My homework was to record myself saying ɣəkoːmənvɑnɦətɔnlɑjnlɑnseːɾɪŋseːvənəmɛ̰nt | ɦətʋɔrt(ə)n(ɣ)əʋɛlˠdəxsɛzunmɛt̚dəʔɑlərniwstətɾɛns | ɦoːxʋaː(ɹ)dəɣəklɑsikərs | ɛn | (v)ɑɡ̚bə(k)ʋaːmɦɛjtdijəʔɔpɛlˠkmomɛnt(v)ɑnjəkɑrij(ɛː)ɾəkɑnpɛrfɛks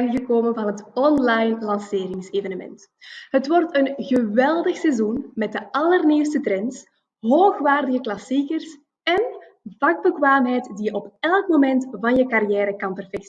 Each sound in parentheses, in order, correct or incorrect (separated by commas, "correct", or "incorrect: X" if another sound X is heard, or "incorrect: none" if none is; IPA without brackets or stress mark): correct, correct, incorrect: r, correct, correct, correct, correct